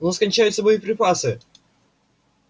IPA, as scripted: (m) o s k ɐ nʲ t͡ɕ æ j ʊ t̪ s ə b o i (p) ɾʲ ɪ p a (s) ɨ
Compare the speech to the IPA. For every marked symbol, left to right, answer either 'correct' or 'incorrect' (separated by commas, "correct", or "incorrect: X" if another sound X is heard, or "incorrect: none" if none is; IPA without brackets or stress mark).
incorrect: n, correct, correct